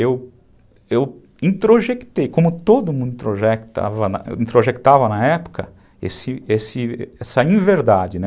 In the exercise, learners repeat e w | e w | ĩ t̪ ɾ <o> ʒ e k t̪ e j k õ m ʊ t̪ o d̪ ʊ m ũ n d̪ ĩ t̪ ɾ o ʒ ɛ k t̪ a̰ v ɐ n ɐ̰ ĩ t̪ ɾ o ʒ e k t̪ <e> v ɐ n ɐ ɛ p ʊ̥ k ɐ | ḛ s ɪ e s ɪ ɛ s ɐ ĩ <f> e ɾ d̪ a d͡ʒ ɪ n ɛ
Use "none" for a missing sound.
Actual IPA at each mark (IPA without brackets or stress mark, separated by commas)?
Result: o, a, v